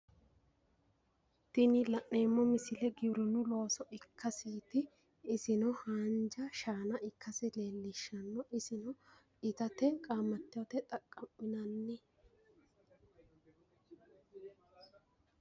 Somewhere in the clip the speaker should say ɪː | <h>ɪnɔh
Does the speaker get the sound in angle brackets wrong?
yes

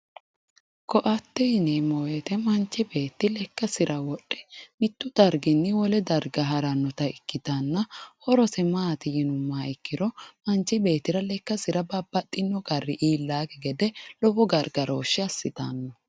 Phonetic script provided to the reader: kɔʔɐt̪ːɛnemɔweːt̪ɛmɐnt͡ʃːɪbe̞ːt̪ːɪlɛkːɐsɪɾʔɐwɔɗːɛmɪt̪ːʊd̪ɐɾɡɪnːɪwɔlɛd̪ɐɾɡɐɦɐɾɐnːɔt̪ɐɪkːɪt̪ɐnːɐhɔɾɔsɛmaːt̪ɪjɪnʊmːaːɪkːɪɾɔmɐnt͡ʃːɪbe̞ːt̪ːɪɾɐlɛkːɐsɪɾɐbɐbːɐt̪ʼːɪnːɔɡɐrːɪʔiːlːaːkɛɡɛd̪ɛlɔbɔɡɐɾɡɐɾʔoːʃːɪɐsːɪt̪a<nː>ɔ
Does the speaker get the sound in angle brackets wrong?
no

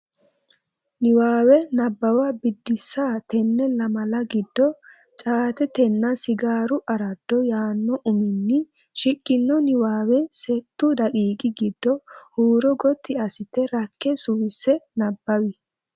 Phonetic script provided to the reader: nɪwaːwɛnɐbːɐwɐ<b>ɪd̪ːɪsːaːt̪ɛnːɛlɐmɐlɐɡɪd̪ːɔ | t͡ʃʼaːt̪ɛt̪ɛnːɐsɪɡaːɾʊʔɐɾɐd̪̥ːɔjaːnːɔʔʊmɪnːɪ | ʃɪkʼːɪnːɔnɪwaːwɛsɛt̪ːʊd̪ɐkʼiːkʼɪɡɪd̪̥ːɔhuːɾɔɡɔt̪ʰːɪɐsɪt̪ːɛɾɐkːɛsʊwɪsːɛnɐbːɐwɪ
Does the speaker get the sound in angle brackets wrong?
no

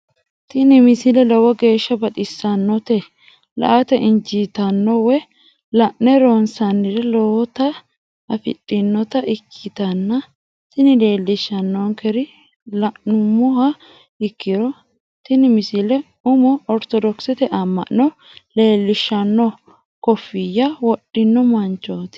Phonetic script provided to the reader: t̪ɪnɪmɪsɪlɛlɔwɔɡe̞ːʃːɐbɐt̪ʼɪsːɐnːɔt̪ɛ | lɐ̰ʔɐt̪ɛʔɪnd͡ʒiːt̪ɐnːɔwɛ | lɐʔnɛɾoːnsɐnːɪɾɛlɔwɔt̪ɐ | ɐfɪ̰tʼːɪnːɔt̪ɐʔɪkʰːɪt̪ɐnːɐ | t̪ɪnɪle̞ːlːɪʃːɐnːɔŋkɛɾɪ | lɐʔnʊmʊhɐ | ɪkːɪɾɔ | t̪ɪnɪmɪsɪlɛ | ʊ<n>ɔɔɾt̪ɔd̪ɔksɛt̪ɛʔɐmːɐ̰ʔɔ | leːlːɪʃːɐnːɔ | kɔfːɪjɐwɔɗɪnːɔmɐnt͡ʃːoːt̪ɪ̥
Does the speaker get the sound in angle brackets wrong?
yes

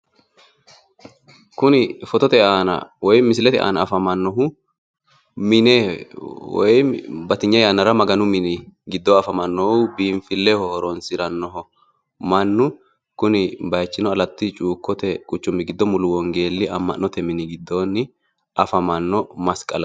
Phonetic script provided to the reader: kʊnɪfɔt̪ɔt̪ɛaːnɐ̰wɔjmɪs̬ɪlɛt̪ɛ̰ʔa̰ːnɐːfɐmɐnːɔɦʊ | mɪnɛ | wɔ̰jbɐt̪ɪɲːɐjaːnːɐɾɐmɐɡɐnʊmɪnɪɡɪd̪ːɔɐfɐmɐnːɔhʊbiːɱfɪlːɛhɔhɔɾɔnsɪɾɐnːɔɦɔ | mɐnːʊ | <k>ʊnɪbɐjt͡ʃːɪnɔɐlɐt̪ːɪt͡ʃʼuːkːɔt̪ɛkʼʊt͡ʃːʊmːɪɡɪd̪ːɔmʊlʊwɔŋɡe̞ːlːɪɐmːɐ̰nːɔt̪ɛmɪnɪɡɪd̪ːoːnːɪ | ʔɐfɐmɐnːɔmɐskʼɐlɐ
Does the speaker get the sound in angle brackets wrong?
no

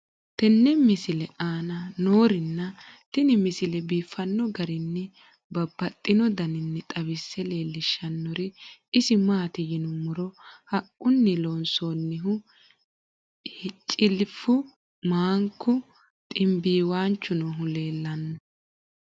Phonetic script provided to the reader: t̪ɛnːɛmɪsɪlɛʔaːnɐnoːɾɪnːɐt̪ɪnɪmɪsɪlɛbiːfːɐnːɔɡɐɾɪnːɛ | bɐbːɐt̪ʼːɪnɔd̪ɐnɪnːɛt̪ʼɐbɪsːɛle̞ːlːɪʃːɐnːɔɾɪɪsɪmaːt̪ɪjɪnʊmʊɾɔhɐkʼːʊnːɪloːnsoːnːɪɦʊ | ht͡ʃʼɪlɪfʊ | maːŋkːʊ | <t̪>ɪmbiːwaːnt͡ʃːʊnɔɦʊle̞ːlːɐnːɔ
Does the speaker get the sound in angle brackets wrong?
yes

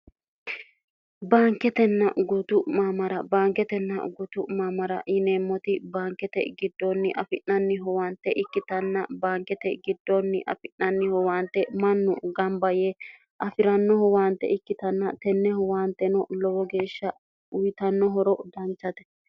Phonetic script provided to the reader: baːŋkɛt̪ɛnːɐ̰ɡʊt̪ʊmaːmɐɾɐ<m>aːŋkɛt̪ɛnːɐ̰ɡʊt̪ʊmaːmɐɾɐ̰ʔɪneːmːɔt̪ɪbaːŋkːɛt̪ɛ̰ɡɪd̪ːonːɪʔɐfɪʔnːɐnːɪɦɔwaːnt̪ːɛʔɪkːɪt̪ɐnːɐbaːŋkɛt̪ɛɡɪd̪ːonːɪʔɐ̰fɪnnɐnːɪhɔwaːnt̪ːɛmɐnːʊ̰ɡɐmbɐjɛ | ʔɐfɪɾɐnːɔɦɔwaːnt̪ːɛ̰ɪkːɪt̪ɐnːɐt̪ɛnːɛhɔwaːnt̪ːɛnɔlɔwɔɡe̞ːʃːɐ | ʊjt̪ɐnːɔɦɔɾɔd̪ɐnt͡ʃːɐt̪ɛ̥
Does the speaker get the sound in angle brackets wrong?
yes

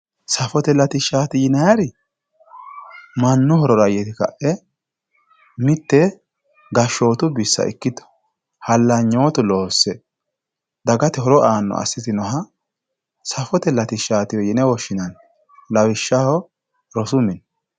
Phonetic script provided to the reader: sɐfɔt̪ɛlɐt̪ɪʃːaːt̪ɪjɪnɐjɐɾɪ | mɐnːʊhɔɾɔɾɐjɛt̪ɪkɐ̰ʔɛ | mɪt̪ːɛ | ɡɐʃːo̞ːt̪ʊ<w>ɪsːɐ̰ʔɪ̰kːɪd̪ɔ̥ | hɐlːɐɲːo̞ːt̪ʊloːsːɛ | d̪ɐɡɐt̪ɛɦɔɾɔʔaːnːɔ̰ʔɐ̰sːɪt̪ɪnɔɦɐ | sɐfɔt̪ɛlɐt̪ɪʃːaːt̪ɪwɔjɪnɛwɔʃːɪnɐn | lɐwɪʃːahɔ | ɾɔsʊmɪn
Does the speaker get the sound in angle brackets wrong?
yes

